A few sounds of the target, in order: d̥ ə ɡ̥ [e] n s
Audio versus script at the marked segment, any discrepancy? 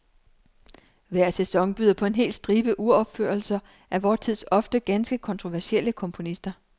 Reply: yes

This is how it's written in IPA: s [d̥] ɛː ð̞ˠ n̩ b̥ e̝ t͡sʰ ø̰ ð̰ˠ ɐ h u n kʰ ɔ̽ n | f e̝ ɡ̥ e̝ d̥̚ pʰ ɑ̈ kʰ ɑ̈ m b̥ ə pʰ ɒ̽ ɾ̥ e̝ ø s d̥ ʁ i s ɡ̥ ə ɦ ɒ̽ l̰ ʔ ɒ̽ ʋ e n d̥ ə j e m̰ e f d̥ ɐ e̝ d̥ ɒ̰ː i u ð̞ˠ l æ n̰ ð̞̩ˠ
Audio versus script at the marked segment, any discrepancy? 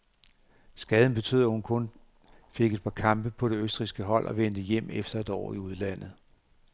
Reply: yes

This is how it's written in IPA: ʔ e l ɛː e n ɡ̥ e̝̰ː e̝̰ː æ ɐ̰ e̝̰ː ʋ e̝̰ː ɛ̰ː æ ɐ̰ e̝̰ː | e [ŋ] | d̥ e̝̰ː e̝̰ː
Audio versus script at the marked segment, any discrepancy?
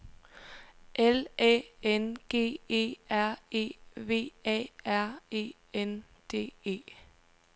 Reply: yes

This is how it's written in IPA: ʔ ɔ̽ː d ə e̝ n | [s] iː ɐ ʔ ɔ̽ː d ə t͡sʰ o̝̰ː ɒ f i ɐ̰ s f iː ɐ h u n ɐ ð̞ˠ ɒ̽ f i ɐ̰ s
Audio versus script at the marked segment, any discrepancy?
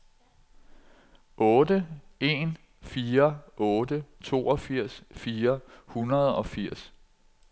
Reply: yes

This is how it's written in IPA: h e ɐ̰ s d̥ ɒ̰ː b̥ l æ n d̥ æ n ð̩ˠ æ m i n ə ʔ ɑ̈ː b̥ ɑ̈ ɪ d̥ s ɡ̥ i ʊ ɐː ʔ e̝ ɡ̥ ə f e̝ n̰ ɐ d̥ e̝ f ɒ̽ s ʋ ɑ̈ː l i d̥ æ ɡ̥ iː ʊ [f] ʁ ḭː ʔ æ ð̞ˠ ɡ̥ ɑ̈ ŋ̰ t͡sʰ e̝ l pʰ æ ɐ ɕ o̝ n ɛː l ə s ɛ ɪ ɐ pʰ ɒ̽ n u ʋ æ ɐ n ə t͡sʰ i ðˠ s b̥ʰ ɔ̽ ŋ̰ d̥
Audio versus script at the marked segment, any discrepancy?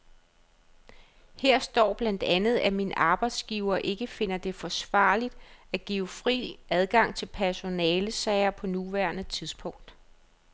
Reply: no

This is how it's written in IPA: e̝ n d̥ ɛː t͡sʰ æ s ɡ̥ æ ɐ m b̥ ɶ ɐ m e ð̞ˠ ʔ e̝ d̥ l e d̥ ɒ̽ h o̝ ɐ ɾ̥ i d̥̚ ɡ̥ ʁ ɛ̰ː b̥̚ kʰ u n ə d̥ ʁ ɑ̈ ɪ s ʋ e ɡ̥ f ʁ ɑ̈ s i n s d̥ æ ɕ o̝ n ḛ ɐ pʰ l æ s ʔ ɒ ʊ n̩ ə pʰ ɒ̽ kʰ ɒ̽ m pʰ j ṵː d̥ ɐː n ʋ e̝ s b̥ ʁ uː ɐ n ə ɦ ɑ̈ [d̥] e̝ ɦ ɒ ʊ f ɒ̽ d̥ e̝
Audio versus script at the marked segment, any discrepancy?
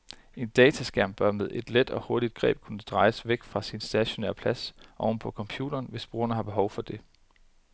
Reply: yes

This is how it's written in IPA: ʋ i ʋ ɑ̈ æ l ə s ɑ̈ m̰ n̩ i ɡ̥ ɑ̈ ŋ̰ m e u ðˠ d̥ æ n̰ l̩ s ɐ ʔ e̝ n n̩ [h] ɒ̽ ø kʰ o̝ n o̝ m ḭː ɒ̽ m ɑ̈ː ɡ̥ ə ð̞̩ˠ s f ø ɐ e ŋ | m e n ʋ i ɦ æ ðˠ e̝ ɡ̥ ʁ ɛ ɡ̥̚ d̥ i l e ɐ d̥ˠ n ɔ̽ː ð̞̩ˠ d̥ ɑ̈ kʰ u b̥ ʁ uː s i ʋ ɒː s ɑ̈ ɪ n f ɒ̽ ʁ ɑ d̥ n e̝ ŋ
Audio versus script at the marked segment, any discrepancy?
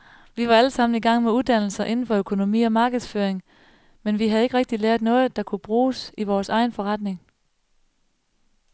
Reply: yes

